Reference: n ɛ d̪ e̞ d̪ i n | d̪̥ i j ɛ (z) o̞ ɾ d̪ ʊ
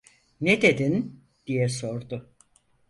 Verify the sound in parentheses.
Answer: incorrect: s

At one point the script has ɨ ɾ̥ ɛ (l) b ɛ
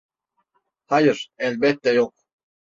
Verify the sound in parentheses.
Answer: correct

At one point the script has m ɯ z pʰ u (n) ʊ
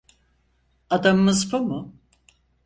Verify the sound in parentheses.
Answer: incorrect: m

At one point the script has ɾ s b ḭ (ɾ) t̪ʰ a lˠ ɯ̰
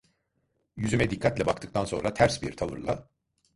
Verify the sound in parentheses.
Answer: correct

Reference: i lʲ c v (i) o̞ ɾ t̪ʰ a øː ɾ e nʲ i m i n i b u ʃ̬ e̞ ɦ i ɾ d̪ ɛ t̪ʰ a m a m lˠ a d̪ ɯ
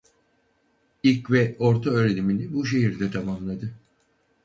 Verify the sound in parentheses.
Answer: incorrect: ɛ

